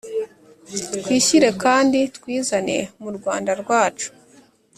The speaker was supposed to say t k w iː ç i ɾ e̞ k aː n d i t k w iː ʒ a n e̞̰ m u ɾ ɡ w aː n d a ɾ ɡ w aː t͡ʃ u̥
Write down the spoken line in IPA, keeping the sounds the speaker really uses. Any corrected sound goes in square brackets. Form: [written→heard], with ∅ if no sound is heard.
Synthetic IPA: t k w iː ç i ɾ e̞ k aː n d i t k w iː [ʒ→z] a n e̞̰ m u ɾ ɡ w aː n d a ɾ ɡ w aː t͡ʃ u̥